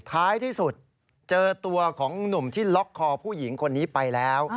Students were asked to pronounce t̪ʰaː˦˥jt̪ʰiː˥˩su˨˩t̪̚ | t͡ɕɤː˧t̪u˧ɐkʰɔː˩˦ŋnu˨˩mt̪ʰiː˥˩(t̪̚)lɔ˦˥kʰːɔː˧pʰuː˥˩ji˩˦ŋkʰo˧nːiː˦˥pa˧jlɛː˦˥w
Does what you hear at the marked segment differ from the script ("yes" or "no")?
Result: yes